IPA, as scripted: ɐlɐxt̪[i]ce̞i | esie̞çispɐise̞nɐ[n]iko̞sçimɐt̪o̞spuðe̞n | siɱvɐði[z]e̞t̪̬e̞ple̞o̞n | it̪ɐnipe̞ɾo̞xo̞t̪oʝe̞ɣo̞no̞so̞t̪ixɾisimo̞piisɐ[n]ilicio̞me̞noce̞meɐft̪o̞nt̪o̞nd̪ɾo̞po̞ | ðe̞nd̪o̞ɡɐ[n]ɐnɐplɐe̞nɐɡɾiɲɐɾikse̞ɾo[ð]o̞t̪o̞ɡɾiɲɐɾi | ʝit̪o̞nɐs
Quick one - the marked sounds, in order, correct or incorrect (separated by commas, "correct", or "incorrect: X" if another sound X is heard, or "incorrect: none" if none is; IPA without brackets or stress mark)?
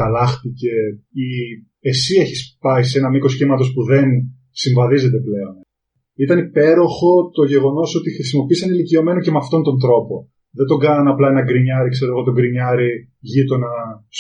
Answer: correct, incorrect: m, correct, correct, correct, incorrect: ɣ